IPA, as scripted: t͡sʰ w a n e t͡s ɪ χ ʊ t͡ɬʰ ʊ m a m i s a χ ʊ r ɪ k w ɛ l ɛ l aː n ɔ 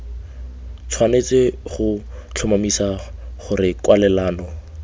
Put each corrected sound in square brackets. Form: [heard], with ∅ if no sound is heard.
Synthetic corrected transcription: t͡sʰ w a n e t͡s ɪ χ ʊ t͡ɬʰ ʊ m a m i s a χ ʊ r ɪ k w [a] l ɛ l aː n ɔ